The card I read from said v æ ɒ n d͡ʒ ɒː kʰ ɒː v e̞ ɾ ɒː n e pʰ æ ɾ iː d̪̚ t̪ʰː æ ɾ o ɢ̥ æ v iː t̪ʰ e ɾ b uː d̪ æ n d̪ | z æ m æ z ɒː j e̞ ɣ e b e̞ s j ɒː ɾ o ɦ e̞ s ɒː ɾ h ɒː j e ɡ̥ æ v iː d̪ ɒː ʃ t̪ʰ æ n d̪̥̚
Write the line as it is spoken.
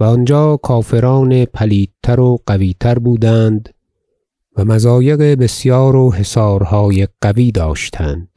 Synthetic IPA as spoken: v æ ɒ n d͡ʒ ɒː kʰ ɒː f e̞ ɾ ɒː n e pʰ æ l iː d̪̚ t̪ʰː æ ɾ o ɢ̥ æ v iː t̪ʰ æ ɾ b uː d̪ æ n d̪ | v æ m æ z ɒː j e̞ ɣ e b e̞ s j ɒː ɾ o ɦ e̞ s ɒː ɾ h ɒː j e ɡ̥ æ v iː d̪ ɒː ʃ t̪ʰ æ n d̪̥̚